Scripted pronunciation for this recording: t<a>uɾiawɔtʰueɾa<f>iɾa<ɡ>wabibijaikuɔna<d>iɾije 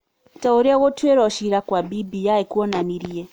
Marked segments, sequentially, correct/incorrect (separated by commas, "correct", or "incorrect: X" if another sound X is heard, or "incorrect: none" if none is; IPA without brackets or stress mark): correct, incorrect: ʃ, incorrect: k, incorrect: n